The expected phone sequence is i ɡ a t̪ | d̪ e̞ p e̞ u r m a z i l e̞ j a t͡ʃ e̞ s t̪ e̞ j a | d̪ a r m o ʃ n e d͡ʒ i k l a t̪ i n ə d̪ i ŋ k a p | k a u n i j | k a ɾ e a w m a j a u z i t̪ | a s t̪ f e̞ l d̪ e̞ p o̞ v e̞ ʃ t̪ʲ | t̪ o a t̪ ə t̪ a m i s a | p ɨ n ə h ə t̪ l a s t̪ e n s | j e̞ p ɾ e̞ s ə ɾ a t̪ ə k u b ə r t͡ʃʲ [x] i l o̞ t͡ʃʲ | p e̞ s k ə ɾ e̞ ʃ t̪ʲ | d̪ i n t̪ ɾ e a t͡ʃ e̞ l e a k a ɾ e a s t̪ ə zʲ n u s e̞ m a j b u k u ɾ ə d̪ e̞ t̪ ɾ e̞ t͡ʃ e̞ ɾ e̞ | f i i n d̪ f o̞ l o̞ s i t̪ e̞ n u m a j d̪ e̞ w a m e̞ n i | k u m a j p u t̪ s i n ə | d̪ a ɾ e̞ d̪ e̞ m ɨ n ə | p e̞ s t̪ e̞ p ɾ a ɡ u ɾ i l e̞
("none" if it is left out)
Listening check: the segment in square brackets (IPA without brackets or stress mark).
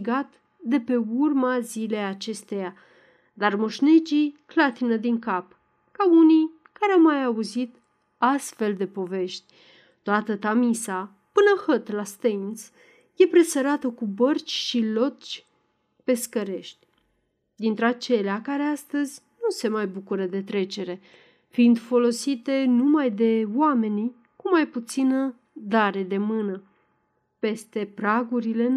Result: ʃ